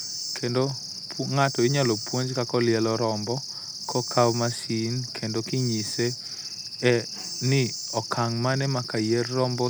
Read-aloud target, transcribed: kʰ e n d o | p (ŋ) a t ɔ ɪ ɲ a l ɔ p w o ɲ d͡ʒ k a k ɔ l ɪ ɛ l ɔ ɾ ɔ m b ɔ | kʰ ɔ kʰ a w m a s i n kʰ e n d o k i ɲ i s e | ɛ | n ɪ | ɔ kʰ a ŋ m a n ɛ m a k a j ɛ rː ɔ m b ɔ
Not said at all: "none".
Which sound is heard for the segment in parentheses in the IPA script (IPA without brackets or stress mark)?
ŋ